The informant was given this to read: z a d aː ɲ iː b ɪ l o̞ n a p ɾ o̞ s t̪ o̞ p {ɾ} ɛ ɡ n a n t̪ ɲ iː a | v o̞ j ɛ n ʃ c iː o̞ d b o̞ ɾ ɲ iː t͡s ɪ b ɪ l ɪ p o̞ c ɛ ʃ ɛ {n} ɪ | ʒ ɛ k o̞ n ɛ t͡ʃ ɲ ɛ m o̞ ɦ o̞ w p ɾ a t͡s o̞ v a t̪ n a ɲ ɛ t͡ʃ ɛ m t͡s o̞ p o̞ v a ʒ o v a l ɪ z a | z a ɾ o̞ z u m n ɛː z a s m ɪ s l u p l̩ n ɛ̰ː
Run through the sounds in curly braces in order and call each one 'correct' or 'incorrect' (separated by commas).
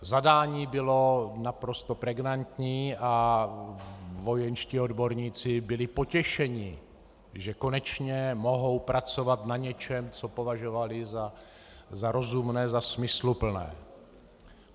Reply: correct, incorrect